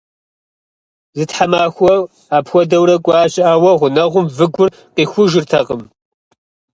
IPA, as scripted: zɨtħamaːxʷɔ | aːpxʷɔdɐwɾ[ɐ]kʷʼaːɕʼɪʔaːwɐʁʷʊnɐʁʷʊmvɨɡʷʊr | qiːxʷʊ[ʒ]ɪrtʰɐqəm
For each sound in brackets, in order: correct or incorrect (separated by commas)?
correct, correct